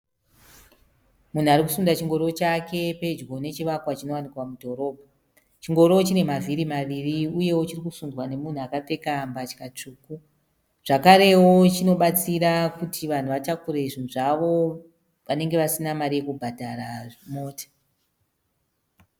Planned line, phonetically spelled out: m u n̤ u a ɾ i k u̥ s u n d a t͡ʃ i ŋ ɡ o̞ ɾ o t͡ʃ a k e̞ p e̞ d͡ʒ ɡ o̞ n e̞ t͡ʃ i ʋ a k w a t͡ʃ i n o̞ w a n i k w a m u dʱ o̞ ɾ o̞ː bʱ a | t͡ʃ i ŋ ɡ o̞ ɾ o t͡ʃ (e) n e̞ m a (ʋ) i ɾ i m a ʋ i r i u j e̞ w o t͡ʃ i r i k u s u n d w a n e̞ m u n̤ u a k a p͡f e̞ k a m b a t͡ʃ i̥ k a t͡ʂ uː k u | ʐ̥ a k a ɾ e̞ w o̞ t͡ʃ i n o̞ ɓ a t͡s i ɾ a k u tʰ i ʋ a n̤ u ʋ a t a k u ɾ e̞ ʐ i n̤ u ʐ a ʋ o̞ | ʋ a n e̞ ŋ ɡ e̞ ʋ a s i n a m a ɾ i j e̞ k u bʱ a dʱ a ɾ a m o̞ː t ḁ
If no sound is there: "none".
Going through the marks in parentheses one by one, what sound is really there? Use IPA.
i, v

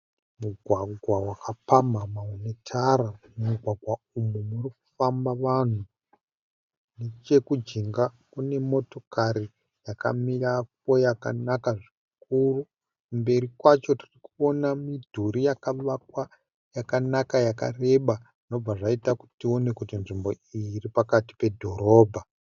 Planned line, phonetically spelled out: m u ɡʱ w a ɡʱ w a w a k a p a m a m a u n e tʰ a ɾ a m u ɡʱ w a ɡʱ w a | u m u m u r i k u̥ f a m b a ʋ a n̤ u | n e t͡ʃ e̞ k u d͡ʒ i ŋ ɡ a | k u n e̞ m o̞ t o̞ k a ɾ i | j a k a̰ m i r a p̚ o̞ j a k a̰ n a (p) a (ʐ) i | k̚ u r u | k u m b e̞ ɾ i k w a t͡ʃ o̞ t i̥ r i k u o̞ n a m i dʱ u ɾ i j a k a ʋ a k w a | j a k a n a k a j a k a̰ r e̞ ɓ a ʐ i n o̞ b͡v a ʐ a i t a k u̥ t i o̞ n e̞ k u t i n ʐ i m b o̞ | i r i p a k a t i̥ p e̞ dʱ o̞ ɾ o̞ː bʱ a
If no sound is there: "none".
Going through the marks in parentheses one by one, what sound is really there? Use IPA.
k, ʐ

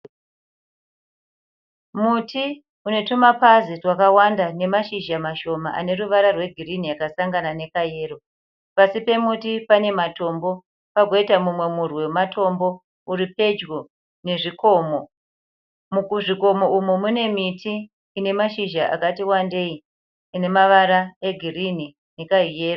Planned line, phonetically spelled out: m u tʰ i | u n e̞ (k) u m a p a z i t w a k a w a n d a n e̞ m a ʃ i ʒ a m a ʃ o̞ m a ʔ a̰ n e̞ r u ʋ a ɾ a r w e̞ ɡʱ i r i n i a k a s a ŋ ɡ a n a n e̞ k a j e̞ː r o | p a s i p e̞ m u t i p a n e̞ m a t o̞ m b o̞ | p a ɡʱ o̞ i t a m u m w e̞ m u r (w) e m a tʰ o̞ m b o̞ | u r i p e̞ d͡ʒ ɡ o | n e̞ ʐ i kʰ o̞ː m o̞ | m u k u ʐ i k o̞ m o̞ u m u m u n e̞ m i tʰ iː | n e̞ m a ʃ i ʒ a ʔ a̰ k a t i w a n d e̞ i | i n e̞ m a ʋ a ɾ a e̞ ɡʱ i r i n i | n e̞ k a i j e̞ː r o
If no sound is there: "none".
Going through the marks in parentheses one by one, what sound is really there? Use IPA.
t, w

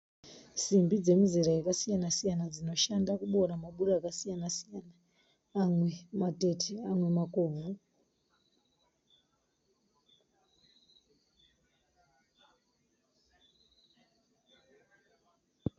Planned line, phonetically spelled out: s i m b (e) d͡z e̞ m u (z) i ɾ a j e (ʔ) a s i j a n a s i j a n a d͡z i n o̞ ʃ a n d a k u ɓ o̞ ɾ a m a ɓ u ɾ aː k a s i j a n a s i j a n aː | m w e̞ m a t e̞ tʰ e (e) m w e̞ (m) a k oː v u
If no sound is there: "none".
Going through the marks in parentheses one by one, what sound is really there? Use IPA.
i, z, k, a, m

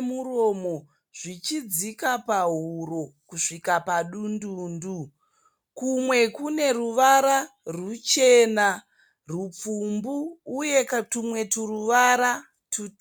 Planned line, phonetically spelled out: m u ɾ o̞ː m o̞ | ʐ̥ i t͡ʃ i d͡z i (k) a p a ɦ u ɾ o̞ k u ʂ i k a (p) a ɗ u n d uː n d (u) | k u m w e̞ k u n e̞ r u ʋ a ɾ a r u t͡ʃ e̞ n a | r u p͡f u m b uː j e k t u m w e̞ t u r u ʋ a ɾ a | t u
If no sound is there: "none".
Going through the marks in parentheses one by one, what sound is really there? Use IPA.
k, p, u

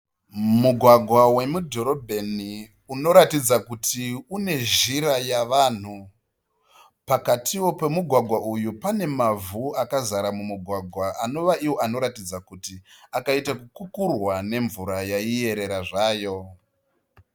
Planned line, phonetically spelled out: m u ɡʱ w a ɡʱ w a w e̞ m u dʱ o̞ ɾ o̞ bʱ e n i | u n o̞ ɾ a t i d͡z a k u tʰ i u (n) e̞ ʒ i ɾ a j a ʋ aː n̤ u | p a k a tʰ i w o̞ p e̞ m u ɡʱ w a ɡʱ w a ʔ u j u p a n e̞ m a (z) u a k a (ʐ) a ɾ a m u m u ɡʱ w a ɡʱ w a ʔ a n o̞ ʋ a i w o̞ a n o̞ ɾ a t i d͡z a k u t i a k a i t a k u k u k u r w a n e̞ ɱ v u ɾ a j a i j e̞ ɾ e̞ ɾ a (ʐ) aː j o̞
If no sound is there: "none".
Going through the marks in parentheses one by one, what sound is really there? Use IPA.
n, v, z, ʐ

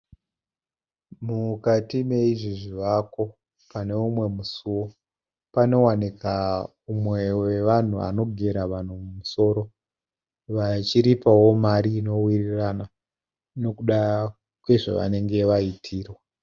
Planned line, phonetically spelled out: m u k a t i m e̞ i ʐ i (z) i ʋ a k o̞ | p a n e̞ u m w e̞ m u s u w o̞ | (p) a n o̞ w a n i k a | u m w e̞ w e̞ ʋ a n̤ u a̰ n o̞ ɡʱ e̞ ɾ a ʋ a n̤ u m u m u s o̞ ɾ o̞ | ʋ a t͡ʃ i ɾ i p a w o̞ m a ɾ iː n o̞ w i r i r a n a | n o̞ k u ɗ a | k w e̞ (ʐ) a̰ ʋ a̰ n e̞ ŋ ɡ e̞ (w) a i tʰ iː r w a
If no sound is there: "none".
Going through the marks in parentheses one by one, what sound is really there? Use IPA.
ʐ, p, ʐ, ʋ

